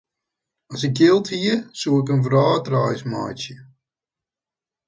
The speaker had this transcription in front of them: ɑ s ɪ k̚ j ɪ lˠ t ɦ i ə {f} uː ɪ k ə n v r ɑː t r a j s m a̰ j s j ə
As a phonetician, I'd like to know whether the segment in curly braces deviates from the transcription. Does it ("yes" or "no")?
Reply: yes